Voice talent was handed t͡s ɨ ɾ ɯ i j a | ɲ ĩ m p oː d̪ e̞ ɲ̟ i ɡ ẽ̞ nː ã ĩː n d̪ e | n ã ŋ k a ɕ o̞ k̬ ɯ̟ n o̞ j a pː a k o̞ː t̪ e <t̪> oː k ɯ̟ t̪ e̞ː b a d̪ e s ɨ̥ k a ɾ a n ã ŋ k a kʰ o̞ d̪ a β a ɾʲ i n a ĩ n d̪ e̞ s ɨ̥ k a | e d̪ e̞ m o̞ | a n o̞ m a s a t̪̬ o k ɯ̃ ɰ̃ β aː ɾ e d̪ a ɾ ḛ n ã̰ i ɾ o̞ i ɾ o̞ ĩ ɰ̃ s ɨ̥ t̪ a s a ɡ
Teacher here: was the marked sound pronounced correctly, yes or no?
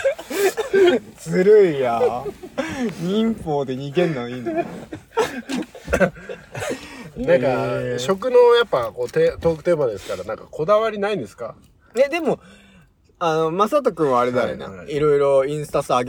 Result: yes